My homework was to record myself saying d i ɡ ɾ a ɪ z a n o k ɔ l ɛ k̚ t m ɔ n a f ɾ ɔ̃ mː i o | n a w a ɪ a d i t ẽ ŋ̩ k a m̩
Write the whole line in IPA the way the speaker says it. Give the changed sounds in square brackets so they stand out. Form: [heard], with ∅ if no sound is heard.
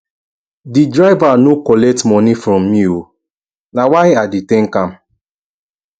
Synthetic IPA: d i [d] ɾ a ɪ [v] a n o k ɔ l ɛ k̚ t m ɔ n [i] f ɾ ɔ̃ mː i o | n a w a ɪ a d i t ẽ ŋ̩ k a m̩